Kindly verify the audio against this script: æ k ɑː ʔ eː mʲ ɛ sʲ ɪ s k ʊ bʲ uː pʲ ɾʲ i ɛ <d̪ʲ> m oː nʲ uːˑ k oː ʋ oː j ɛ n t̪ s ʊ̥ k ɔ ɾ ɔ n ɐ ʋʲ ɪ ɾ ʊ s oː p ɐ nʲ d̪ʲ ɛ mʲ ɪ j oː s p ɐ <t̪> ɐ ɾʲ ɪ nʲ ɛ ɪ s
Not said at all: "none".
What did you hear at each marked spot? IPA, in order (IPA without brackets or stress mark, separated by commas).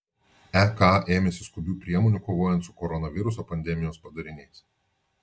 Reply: none, d̪